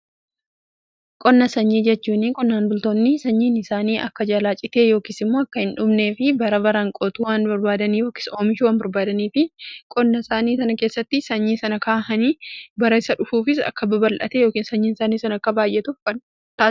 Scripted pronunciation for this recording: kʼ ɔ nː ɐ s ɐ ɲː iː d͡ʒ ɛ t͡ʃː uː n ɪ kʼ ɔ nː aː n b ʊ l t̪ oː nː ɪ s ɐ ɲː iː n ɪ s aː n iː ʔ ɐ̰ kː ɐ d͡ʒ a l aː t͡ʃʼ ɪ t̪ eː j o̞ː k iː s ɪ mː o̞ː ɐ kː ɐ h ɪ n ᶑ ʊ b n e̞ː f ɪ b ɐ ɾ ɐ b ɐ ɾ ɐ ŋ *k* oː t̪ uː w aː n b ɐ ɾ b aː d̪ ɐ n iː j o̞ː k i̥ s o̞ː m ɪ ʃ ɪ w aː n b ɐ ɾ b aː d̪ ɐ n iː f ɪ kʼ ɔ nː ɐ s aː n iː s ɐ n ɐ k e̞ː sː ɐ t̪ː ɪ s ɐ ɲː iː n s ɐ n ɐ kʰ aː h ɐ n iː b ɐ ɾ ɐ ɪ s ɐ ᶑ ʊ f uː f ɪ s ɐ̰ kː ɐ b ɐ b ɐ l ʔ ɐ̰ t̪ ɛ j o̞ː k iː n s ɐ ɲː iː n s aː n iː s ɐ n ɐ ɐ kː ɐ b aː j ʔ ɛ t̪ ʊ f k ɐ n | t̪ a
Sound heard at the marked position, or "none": kʼ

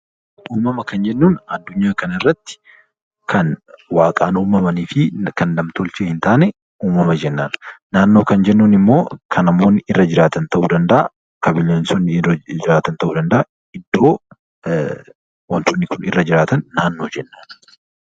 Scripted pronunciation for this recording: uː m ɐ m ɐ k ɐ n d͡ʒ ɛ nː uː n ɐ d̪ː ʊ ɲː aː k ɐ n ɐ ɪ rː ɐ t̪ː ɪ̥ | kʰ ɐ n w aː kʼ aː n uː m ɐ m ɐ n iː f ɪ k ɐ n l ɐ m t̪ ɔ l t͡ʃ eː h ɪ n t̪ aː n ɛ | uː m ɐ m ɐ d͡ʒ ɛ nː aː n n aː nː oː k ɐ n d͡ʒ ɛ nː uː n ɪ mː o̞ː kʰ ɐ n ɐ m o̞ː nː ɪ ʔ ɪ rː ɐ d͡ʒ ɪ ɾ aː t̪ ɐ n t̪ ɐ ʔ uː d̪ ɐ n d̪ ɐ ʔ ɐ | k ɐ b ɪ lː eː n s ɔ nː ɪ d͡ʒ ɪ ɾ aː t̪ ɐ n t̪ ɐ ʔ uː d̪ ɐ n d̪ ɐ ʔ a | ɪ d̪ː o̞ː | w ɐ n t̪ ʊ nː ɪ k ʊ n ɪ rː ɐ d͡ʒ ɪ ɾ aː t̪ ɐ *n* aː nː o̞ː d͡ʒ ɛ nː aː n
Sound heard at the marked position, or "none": nː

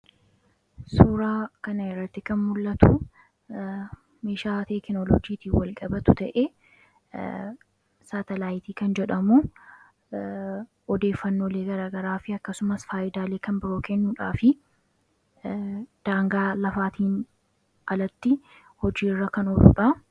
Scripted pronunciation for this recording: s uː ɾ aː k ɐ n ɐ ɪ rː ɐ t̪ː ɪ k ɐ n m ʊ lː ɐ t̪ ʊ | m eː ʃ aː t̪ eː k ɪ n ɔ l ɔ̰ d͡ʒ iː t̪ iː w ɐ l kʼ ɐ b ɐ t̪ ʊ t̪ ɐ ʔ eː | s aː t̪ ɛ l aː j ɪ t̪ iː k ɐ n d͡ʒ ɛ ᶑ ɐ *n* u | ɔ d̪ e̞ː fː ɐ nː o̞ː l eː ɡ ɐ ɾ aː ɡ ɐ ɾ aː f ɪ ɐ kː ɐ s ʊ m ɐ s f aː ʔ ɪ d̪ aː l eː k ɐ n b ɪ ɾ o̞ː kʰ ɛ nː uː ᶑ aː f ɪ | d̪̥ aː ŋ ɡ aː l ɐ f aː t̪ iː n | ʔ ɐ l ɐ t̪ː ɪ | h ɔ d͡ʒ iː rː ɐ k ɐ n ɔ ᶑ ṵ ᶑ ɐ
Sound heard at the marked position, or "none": m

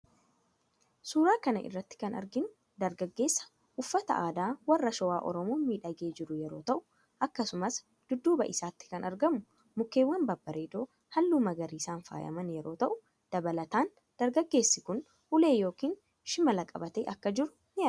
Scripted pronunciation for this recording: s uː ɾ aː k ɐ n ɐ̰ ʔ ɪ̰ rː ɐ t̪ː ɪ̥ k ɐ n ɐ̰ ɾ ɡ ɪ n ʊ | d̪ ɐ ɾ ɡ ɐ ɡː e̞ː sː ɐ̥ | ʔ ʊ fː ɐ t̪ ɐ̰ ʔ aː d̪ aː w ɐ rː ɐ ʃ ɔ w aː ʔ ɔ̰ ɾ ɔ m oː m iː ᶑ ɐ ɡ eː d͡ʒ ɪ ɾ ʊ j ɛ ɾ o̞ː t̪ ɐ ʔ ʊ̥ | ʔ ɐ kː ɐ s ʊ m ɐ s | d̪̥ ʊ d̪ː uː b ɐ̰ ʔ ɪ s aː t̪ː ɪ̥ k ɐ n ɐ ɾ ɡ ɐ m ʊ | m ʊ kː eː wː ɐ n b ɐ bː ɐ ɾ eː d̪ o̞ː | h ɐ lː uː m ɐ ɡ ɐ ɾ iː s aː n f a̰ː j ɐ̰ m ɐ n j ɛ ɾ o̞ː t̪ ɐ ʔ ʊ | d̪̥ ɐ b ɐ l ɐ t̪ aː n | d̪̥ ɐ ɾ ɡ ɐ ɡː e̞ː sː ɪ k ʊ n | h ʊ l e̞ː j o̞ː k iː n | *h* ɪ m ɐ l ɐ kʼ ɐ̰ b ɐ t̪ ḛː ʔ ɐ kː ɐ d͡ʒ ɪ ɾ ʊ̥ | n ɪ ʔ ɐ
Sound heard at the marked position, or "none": ʃ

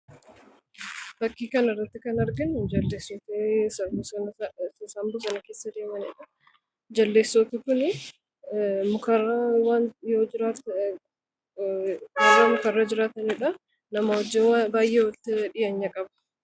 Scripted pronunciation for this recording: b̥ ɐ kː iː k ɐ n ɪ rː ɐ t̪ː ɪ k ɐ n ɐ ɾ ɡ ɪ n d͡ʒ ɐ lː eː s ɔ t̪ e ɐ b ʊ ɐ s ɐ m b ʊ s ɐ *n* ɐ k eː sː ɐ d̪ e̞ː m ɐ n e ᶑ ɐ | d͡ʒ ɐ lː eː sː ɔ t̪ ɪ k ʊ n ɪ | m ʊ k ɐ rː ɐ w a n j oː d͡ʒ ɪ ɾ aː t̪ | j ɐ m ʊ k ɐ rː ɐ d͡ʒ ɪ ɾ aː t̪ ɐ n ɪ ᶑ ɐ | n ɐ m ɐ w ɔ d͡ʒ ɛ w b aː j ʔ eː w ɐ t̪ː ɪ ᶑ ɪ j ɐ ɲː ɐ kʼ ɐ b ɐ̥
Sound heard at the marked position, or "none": n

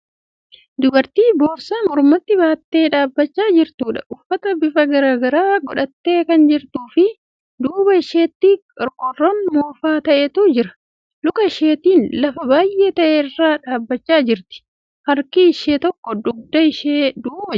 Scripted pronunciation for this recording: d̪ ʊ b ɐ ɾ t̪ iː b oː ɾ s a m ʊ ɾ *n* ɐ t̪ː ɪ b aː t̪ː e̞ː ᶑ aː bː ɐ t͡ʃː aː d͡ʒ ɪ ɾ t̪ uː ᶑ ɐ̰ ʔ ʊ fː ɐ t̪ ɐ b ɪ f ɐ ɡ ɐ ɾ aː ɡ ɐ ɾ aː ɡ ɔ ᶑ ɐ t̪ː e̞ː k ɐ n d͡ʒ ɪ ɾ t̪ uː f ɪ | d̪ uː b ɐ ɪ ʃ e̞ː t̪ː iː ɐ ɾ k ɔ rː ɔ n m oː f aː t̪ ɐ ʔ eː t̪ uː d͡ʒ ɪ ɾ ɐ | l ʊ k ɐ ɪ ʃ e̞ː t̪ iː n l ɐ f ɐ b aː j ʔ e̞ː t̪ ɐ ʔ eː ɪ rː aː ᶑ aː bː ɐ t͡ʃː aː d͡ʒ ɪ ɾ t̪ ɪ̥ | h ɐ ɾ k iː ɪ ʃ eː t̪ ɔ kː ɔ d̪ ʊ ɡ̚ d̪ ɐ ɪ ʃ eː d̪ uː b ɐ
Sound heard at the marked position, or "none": m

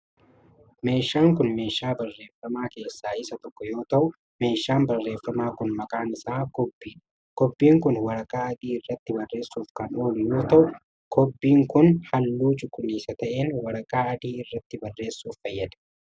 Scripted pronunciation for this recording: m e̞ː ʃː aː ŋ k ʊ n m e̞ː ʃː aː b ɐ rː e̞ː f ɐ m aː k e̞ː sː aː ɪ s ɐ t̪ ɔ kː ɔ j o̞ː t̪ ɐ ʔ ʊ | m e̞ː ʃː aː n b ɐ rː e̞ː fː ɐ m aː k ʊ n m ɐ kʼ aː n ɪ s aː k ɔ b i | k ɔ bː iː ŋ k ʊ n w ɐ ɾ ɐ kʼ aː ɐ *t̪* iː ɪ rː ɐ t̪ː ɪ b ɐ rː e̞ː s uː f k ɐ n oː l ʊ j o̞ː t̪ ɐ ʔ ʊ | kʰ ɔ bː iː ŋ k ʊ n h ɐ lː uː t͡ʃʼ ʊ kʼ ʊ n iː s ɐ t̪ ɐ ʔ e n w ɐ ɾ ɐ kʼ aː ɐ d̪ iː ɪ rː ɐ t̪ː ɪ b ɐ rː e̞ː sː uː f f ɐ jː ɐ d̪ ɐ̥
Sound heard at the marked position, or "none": d̪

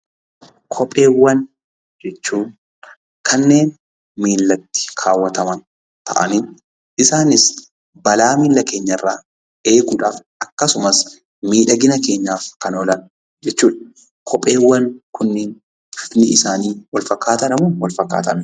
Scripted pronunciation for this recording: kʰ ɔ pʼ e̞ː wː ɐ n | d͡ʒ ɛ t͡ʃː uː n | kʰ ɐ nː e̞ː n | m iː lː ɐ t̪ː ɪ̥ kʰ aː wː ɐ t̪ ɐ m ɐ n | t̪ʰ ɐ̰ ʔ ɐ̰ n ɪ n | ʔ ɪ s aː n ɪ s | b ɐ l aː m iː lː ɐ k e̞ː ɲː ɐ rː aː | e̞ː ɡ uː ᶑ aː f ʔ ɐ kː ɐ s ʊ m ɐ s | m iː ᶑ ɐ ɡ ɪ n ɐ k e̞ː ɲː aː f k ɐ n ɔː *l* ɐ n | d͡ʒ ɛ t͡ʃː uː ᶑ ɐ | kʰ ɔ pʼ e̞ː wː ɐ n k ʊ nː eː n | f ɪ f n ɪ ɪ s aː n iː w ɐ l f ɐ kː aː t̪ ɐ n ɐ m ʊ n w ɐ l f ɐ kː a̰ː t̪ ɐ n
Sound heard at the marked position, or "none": l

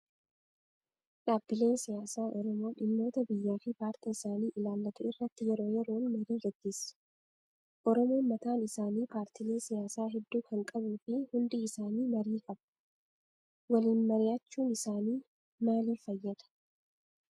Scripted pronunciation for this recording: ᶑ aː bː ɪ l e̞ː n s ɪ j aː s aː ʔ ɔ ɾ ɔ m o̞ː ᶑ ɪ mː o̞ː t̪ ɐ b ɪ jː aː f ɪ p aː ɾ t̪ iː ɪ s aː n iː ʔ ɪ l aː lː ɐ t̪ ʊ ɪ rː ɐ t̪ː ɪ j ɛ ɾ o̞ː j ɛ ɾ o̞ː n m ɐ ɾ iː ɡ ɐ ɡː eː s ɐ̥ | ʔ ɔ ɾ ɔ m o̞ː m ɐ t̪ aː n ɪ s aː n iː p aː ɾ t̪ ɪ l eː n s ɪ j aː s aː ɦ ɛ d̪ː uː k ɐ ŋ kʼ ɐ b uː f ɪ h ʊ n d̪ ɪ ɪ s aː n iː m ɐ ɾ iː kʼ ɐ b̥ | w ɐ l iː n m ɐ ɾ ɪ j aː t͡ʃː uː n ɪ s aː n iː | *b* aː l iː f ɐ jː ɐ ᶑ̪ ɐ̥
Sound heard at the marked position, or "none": m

